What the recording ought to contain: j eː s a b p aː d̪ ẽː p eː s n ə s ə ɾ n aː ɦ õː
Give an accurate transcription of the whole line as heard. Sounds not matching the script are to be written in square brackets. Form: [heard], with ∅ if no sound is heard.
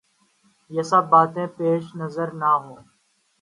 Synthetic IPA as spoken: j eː s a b [b] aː [t̪] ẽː p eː [ʃ] n ə [z] ə ɾ n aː ɦ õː